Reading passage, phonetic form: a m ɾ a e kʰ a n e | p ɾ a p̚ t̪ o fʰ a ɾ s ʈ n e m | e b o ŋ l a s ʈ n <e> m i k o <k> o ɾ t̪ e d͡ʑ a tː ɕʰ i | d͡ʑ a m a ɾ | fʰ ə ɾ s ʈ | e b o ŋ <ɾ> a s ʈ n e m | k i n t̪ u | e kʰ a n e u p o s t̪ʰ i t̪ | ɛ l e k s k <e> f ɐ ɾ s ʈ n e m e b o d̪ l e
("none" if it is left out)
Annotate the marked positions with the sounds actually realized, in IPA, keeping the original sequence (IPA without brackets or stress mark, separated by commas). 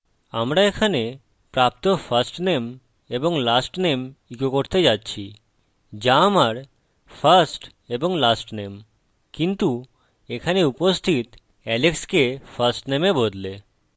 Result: e, k, l, e